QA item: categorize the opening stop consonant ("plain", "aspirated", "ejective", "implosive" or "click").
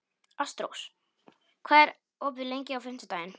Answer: plain